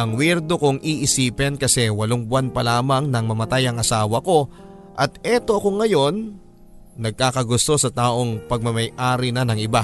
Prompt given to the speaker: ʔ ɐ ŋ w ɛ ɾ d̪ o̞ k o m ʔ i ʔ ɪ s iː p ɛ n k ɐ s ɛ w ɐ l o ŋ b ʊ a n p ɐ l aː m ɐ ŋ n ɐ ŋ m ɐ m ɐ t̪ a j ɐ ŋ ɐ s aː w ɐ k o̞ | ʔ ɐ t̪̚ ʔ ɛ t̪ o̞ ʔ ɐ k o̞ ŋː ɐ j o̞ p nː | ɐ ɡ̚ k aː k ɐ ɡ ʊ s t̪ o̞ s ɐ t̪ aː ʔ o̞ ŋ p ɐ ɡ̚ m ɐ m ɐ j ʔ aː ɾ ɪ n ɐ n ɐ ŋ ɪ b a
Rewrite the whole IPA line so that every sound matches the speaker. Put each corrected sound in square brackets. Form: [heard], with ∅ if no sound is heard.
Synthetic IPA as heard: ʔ ɐ ŋ w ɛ ɾ d̪ o̞ k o [ŋ] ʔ i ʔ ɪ s iː p ɛ n k ɐ s ɛ w ɐ l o ŋ b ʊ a n p ɐ l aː m ɐ ŋ n ɐ ŋ m ɐ m ɐ t̪ a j ɐ ŋ ɐ s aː w ɐ k o̞ | ʔ ɐ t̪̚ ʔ ɛ t̪ o̞ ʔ ɐ k o̞ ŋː ɐ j o̞ [∅] nː | ɐ ɡ̚ k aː k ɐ ɡ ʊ s t̪ o̞ s ɐ t̪ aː ʔ o̞ ŋ p ɐ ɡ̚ m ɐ m ɐ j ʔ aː ɾ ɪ n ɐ n ɐ ŋ ɪ b a